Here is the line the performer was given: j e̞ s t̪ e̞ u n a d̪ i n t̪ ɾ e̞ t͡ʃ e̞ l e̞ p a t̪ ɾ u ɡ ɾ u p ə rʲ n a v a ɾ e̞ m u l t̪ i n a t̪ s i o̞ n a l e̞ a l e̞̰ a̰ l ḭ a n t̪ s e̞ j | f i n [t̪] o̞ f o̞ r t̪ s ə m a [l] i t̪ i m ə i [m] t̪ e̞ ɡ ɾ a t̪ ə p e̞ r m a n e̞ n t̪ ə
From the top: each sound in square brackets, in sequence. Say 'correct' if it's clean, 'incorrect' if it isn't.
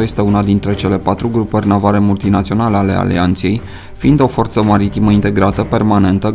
incorrect: d̪, incorrect: ɾ, incorrect: n

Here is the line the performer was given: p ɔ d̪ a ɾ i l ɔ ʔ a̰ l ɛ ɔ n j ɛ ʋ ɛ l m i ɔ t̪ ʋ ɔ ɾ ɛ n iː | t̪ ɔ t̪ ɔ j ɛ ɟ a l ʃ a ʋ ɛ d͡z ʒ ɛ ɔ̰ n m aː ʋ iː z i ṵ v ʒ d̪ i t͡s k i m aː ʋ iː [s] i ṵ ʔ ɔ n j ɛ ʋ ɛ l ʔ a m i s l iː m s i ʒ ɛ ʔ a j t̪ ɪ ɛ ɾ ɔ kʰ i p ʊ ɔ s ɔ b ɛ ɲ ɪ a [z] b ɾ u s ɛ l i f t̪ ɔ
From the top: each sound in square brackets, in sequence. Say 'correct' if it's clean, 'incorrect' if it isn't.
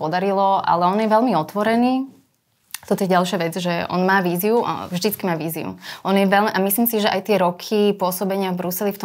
incorrect: z, incorrect: v

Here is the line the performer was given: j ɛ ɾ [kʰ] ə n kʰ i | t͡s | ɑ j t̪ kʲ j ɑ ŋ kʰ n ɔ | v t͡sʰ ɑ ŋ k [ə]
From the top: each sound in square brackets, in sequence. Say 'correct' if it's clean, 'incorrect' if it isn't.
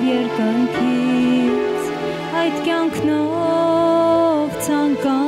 incorrect: k, incorrect: ɑ

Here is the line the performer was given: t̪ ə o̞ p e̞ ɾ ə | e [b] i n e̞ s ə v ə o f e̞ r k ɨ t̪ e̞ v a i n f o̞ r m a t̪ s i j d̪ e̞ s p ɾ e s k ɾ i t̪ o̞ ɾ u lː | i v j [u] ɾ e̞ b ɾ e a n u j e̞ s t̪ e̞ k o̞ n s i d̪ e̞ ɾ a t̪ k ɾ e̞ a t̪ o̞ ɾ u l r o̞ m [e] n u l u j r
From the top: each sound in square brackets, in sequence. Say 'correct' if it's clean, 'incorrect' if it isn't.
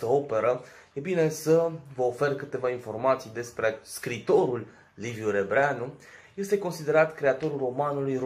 correct, correct, incorrect: a

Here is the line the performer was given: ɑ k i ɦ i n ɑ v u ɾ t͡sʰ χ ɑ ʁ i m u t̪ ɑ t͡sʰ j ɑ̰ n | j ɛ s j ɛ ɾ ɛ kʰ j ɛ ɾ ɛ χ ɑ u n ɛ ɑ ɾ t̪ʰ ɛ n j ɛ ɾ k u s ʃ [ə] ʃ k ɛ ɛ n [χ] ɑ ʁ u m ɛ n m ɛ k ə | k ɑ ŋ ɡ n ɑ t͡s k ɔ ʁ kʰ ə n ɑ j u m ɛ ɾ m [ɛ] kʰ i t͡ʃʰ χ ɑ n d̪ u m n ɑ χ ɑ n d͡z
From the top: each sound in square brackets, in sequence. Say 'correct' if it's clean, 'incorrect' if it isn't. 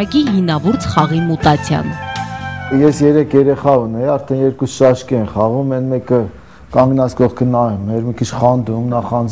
incorrect: ɑ, correct, incorrect: i

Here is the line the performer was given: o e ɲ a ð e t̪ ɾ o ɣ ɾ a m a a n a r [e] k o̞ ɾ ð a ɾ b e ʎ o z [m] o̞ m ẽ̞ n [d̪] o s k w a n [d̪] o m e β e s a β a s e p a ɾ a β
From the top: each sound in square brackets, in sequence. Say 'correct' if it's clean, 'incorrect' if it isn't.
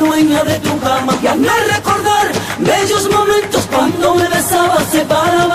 correct, correct, incorrect: t̪, correct

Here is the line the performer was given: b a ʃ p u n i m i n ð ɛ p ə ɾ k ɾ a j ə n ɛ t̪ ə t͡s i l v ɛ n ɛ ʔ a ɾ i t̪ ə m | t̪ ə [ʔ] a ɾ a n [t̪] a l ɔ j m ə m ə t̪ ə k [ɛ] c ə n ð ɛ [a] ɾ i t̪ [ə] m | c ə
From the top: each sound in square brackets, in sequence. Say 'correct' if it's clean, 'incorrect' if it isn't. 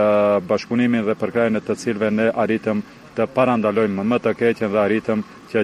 incorrect: p, incorrect: d̪, correct, correct, correct

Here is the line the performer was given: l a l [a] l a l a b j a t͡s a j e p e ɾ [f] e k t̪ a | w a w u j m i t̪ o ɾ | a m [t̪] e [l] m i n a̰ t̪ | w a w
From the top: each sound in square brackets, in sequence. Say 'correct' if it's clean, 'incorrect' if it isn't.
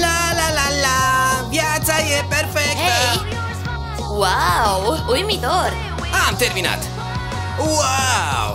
correct, correct, correct, incorrect: ɾ

